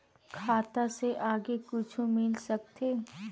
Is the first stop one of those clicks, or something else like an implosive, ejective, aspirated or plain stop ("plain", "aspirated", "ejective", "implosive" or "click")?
aspirated